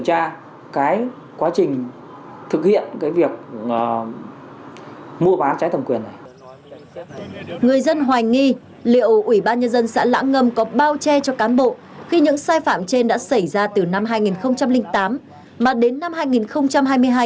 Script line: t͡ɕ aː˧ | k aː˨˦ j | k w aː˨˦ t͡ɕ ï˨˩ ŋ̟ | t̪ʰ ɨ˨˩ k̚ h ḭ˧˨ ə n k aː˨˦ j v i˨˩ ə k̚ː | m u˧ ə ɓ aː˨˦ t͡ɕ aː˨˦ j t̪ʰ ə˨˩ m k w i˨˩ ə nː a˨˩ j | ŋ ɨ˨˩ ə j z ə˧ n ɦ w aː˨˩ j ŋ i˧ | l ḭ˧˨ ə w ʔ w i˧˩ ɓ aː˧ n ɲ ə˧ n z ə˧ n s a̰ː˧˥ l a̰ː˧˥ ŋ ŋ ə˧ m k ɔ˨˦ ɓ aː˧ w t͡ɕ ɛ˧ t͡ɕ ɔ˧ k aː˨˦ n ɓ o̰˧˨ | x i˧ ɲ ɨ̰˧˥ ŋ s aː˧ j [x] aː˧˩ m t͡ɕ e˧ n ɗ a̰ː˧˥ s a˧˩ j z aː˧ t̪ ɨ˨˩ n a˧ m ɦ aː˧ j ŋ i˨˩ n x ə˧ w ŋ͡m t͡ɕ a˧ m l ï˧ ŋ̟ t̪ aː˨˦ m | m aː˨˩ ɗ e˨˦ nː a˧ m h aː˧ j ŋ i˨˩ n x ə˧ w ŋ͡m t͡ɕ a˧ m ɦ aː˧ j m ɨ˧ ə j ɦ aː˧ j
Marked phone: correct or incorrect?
incorrect: f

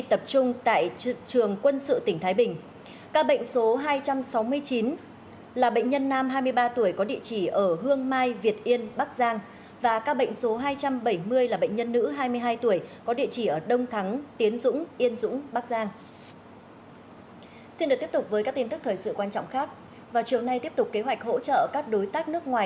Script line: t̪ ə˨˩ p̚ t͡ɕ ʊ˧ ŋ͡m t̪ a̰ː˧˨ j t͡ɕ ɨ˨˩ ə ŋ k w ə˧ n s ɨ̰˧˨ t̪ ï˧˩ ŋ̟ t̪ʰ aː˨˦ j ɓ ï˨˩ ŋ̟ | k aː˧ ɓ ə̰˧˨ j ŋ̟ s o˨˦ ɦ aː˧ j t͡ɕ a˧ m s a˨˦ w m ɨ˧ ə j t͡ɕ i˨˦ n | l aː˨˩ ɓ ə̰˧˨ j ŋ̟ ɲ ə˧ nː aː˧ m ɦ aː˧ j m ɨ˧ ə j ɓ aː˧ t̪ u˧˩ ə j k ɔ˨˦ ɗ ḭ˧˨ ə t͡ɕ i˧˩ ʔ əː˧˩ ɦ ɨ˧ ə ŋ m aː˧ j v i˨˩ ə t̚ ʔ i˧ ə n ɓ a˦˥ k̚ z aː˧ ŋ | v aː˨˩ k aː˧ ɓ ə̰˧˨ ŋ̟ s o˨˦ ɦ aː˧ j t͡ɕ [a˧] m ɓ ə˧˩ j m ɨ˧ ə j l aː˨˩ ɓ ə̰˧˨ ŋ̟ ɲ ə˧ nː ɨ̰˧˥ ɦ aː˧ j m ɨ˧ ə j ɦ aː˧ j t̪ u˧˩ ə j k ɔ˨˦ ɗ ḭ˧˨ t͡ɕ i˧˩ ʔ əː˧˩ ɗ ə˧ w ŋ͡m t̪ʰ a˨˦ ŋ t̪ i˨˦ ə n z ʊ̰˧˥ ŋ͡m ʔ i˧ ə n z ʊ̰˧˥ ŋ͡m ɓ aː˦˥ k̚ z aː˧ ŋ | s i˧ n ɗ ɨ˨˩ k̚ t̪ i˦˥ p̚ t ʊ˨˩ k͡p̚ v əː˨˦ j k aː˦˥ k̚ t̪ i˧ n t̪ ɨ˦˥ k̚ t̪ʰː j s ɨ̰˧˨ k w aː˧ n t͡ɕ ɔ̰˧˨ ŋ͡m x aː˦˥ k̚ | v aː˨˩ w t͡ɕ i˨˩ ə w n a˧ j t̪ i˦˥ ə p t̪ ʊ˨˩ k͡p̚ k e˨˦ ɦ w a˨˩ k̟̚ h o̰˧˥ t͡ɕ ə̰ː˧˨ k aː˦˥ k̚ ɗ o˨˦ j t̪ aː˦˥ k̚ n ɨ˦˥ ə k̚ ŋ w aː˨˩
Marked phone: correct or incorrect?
correct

